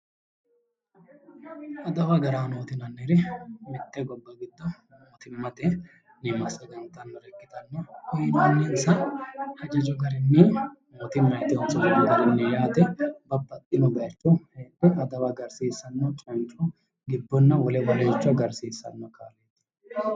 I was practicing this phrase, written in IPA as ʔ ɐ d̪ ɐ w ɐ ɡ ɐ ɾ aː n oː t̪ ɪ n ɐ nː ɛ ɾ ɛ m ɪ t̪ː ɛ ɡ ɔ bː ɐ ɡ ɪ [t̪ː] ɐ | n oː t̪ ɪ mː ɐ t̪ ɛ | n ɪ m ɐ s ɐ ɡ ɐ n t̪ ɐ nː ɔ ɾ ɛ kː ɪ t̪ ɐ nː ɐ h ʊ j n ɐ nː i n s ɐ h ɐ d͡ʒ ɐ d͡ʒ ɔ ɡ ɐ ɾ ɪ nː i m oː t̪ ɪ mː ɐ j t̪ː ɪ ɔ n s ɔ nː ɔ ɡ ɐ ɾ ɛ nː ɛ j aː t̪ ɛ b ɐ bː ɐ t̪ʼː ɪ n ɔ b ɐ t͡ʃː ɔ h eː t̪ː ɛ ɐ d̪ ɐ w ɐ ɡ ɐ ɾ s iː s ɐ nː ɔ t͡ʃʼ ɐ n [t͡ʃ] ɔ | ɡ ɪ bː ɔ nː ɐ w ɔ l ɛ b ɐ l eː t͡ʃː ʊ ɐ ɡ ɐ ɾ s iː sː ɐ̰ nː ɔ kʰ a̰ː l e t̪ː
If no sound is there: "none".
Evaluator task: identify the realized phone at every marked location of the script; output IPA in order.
d̪ː, t͡ʃʼ

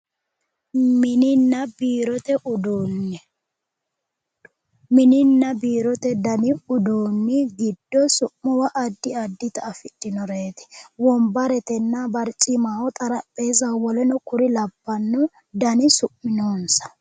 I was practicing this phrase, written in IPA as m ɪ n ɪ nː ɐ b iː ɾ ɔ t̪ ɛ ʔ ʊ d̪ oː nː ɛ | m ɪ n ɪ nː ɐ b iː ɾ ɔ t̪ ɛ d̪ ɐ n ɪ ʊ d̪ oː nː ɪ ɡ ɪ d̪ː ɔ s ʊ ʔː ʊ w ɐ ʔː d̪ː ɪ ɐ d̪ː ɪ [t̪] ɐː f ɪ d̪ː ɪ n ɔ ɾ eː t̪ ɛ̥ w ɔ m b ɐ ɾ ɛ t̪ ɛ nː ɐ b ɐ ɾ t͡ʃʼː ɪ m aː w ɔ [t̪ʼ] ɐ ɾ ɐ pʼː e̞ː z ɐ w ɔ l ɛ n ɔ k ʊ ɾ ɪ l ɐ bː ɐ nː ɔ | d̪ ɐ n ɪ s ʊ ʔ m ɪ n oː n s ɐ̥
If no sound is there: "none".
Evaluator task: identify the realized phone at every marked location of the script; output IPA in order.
t̪, t̪ʼ

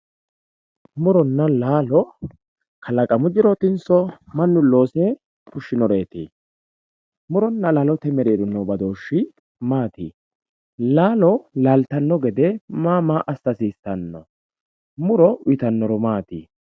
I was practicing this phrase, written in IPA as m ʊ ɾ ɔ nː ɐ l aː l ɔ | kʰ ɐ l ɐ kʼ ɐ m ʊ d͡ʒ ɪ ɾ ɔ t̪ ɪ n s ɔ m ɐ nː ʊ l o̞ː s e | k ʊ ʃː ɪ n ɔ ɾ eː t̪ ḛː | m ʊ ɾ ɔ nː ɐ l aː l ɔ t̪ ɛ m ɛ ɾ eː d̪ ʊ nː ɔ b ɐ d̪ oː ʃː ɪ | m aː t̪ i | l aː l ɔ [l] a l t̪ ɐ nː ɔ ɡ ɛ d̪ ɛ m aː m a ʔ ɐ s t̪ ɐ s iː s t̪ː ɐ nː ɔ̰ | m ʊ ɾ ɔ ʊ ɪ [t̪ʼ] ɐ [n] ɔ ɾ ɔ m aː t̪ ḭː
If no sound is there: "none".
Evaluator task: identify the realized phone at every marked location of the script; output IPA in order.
l, t̪, nː

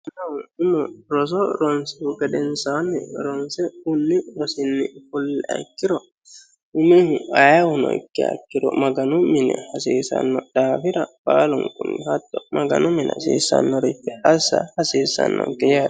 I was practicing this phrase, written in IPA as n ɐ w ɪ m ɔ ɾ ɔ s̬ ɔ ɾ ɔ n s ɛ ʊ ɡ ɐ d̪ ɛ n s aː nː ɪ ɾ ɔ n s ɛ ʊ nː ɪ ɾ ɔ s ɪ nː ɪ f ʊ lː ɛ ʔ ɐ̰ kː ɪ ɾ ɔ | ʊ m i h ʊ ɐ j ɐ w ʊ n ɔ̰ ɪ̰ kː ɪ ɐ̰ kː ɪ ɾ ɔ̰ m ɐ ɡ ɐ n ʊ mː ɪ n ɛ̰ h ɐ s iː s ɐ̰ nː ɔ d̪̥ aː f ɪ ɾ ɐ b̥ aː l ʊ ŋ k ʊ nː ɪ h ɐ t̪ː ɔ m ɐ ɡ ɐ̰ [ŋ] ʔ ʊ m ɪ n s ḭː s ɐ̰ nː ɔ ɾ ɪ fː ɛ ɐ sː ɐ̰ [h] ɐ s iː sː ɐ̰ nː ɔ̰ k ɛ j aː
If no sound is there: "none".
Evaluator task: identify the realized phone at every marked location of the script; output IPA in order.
n, h

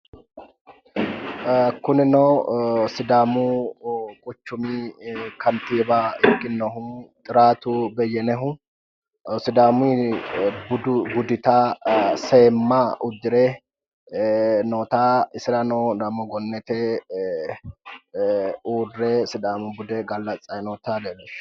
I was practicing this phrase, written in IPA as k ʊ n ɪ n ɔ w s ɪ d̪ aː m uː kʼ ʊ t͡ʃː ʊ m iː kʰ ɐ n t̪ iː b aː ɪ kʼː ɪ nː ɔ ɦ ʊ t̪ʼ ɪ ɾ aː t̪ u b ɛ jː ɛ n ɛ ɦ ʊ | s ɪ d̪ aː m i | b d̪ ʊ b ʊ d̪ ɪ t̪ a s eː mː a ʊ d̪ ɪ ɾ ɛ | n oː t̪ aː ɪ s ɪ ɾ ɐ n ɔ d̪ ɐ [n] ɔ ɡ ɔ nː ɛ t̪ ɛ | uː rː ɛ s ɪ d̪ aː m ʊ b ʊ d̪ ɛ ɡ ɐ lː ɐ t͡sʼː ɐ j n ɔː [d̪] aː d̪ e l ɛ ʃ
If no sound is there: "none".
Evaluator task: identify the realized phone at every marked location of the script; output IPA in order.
m, t̪

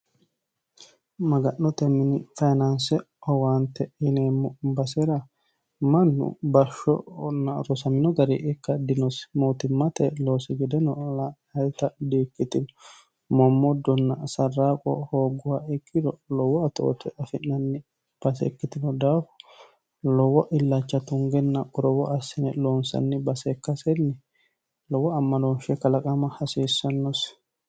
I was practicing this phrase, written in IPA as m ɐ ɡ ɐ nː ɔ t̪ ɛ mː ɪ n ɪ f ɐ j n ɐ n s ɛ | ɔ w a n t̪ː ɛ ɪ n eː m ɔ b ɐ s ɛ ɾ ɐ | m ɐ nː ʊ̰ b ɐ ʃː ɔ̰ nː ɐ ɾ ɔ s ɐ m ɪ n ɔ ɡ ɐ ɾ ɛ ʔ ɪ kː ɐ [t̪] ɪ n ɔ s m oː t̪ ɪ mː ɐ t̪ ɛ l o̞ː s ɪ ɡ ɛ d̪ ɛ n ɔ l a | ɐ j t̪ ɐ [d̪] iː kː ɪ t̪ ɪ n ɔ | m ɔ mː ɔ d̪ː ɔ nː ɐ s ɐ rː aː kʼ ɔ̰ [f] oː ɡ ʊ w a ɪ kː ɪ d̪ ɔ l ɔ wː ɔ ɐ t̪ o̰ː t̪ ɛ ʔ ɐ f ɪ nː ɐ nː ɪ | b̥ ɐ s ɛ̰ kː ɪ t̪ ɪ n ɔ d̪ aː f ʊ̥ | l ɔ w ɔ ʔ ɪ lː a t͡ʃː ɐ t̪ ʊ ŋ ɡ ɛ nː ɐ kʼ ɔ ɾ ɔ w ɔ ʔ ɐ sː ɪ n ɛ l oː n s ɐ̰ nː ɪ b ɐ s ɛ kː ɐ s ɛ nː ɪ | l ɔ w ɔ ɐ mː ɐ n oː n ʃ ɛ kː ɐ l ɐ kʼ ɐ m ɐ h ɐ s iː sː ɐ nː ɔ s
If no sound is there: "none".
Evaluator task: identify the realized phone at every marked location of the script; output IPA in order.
d̪, d̪, h

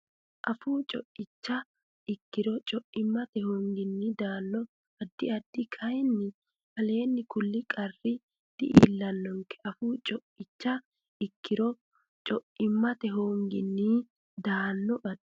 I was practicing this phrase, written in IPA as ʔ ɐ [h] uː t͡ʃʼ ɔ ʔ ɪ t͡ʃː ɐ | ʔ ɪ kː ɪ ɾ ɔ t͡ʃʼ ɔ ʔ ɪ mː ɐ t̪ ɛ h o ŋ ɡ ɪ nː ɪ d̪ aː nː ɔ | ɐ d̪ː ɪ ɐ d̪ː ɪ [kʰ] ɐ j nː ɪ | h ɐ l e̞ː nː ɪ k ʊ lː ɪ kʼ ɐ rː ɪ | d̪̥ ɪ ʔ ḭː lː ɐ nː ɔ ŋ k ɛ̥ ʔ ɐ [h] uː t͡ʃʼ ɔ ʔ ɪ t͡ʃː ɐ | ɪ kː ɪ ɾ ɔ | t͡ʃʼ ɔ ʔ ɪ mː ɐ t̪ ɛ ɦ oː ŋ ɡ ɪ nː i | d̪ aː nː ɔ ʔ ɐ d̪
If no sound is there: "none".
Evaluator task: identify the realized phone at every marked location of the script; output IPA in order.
f, kʰ, f

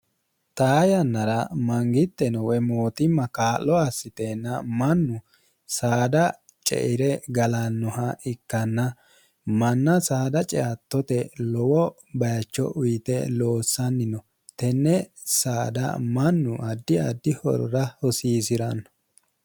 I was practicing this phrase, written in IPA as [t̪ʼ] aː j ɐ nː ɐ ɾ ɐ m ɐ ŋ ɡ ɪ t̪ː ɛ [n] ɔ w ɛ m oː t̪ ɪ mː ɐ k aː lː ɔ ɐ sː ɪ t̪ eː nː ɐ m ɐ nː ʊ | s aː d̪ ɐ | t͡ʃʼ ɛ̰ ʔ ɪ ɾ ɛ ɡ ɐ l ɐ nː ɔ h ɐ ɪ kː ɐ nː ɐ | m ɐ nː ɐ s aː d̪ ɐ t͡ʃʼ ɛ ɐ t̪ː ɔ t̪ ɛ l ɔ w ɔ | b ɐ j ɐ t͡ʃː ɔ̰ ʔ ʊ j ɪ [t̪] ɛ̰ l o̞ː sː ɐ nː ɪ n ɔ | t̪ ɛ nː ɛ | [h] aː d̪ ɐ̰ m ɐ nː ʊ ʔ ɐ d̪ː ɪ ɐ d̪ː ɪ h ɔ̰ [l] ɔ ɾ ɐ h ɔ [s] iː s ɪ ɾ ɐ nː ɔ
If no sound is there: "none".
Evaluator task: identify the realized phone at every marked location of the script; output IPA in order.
t̪, n, t̪, s, ɾ, s

